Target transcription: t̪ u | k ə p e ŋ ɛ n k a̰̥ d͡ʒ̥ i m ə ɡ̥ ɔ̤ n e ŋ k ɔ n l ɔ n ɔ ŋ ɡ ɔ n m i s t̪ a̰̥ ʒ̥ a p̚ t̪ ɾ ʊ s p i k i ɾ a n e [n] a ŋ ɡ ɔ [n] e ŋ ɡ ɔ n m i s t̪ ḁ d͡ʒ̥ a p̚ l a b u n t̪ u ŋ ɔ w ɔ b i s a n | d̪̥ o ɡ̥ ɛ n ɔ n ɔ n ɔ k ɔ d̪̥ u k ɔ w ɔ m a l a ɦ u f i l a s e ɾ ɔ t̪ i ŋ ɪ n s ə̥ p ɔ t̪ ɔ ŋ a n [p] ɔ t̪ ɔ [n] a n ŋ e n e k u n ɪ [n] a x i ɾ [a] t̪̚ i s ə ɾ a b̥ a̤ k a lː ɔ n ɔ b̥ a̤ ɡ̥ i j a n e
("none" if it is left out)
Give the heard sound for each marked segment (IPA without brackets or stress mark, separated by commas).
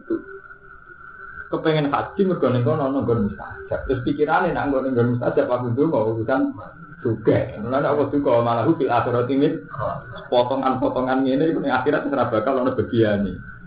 n, n, p, ŋ, ŋ, a